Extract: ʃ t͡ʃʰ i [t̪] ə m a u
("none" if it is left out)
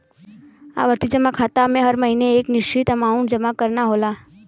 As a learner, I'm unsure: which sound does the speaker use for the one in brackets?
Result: t̪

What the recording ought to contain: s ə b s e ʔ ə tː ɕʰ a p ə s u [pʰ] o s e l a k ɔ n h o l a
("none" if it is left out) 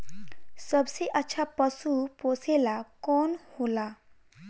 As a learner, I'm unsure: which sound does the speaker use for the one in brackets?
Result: p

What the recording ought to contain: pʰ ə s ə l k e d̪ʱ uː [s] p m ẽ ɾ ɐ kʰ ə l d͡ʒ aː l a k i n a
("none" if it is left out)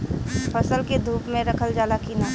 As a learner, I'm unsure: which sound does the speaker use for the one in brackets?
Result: none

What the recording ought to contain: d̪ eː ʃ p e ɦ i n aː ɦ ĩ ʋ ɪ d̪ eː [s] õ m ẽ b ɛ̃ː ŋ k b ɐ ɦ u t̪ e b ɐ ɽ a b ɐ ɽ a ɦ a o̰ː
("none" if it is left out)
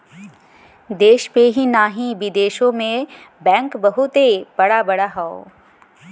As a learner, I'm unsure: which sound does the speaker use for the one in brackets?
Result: ʃ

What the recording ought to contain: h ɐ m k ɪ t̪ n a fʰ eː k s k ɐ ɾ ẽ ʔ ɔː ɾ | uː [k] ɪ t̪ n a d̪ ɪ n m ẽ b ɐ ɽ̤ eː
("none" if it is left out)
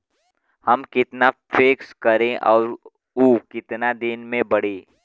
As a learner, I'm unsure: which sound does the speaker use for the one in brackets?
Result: k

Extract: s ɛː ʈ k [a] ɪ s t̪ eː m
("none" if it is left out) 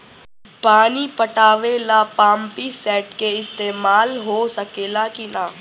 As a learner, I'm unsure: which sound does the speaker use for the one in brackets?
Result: e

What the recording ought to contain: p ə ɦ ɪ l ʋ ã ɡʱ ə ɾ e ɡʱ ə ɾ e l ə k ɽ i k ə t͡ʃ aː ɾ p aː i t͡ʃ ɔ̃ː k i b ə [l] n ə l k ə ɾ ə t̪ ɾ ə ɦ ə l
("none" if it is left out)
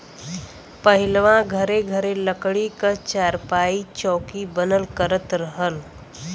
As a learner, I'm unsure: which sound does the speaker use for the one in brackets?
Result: none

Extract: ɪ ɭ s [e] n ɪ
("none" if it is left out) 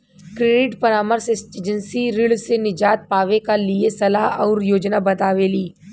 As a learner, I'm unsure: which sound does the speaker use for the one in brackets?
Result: e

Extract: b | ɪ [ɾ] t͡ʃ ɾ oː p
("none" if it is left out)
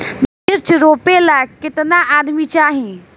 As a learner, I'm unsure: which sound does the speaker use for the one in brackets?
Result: ɾ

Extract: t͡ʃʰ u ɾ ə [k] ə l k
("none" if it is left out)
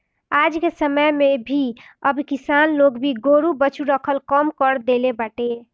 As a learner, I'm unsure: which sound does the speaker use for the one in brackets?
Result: kʰ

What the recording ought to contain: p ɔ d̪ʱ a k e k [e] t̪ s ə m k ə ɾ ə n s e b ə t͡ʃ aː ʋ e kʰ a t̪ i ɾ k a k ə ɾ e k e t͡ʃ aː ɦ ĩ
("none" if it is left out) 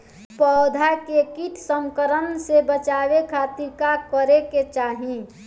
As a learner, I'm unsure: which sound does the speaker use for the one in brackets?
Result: i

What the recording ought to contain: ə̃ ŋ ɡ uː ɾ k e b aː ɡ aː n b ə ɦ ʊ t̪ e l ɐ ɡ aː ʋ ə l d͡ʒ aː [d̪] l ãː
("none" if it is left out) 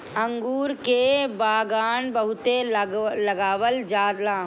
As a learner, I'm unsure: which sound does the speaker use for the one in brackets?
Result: d̪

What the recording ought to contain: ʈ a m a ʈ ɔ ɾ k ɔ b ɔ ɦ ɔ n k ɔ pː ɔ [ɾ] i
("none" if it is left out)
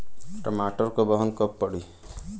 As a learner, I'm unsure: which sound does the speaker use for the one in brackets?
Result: ɽ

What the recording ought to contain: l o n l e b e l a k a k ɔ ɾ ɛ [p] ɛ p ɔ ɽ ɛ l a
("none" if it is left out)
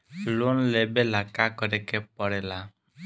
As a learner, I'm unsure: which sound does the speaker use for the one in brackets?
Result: k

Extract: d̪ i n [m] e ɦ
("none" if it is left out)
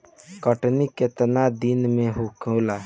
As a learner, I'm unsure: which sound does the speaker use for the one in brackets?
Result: m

